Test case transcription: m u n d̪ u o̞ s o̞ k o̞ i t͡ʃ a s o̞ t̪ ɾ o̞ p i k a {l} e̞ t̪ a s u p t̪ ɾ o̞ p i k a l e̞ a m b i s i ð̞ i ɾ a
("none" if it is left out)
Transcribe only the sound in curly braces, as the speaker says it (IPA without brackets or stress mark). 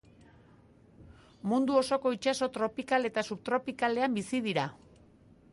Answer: l